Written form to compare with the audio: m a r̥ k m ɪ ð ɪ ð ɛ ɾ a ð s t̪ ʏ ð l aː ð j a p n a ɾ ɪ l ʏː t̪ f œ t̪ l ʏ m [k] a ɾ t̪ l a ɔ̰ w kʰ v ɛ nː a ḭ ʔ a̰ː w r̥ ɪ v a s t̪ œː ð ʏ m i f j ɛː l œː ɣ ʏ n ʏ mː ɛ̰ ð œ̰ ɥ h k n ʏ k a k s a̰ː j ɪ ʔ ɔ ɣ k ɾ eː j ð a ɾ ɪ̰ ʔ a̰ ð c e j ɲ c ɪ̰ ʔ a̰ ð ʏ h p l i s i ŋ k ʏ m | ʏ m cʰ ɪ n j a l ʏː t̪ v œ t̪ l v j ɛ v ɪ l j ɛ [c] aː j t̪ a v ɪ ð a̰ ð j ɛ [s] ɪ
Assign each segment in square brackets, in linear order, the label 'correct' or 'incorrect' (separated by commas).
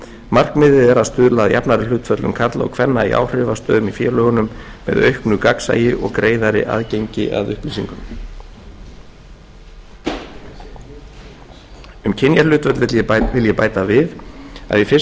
incorrect, incorrect, incorrect